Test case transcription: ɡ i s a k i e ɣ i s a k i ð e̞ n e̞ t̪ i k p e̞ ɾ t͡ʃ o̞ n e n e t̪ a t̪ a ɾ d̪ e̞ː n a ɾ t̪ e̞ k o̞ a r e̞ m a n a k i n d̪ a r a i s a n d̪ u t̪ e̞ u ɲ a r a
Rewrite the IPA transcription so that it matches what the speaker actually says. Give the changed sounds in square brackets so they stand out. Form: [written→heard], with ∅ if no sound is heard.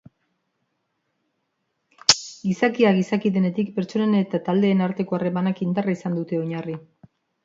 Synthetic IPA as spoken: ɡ i s a k i [e→a] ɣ i s a k i ð e̞ n e̞ t̪ i k p e̞ ɾ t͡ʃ o̞ n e n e t̪ a t̪ a [ɾ→l] d̪ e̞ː n a ɾ t̪ e̞ k o̞ a r e̞ m a n a k i n d̪ a r a i s a n d̪ u t̪ e̞ [u→o] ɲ a r [a→i]